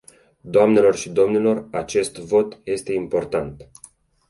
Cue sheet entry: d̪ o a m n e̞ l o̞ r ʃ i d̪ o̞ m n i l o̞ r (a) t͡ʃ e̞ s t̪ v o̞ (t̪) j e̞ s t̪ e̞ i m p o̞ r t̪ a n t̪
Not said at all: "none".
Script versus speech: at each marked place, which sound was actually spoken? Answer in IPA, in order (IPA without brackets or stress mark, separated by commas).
a, t̪